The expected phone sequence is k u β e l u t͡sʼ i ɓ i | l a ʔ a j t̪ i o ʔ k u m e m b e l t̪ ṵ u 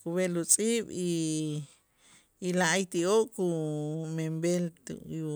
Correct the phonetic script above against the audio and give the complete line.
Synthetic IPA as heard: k u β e l u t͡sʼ i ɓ i | l a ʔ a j t̪ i o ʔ k u m e m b e l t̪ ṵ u